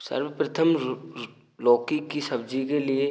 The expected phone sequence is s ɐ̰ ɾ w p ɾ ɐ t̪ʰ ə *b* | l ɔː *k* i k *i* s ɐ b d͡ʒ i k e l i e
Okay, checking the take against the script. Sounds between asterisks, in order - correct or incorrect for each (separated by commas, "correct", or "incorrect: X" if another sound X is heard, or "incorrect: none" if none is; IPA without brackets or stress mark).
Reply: incorrect: m, correct, correct